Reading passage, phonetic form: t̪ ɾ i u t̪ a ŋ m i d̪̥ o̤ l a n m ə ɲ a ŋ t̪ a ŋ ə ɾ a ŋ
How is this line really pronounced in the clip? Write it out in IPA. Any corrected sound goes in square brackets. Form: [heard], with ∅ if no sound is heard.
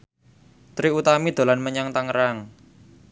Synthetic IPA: t̪ ɾ i u t̪ a [∅] m i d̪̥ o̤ l a n m ə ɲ a ŋ t̪ a ŋ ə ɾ a ŋ